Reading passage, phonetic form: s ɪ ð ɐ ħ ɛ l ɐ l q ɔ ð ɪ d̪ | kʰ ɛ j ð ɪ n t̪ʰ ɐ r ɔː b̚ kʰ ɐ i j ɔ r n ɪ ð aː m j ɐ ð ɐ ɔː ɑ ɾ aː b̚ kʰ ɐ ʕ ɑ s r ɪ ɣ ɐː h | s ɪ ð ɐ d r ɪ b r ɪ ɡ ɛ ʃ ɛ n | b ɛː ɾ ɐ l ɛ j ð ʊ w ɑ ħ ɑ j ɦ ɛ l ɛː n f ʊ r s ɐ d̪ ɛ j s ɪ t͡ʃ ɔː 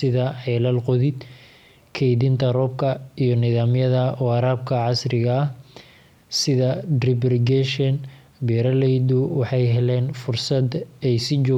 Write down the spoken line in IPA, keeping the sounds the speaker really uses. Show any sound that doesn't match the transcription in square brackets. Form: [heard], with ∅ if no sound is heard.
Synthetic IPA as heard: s ɪ ð ɐ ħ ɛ l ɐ l q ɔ ð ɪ d̪ | kʰ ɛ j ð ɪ n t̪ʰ ɐ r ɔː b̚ kʰ ɐ i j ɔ [∅] n ɪ ð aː m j ɐ ð ɐ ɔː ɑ ɾ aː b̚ kʰ ɐ ʕ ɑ s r ɪ ɣ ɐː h | s ɪ ð ɐ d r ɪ b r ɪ ɡ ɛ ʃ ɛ n | b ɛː ɾ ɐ l ɛ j ð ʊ w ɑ ħ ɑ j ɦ ɛ l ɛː n f ʊ r s ɐ d̪ ɛ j s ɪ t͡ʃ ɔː